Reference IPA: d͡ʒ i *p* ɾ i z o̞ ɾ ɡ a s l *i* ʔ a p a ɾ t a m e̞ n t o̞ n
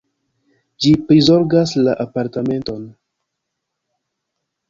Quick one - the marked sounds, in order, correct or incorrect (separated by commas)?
correct, incorrect